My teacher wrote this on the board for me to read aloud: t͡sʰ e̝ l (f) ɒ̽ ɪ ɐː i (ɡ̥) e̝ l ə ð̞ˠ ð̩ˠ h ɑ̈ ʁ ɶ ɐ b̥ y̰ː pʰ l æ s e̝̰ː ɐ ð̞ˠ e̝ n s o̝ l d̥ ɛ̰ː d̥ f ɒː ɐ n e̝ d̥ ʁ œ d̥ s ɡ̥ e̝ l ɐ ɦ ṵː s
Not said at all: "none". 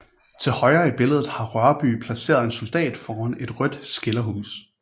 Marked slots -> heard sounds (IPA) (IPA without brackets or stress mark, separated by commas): h, b̥